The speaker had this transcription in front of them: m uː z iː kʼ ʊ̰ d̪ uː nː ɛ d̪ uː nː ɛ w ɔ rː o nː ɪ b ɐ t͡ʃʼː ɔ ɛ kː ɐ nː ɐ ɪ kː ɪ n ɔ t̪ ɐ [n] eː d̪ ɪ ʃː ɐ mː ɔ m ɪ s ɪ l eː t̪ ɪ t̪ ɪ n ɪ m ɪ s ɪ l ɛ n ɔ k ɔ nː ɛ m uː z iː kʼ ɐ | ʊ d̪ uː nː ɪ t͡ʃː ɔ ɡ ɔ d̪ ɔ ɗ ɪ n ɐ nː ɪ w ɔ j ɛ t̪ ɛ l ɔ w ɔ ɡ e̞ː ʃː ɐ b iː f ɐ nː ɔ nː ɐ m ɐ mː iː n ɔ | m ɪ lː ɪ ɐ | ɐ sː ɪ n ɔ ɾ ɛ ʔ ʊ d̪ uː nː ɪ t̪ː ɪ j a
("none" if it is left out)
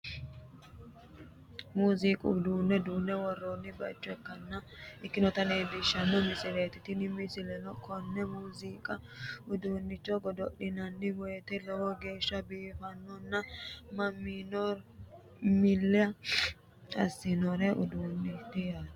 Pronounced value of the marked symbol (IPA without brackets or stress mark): n